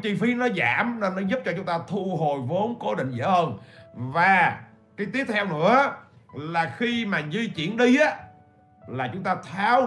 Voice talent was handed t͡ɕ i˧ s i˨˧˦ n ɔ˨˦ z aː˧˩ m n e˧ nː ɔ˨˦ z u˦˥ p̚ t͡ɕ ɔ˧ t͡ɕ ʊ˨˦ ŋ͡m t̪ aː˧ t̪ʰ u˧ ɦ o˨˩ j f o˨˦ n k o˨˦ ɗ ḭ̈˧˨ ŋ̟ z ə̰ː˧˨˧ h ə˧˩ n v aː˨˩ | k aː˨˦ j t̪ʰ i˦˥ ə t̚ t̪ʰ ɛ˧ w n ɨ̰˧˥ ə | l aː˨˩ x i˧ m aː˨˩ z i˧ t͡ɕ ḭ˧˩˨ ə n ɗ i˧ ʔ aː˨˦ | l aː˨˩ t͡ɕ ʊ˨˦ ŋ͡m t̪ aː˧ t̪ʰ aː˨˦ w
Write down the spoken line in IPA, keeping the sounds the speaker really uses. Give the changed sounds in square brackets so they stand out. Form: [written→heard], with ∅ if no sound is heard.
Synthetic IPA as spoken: t͡ɕ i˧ [s→f] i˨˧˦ n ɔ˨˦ z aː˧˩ m n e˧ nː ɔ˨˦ z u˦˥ p̚ t͡ɕ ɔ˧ t͡ɕ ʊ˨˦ ŋ͡m t̪ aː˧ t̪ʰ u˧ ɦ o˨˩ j [f→v] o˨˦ n k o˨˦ ɗ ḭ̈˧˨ ŋ̟ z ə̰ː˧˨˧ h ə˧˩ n v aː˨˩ | k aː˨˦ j [t̪ʰ→t̪] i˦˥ ə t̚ t̪ʰ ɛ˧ w n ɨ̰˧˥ ə | l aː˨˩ x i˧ m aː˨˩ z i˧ t͡ɕ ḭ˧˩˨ ə n ɗ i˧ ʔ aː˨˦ | l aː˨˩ t͡ɕ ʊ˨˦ ŋ͡m t̪ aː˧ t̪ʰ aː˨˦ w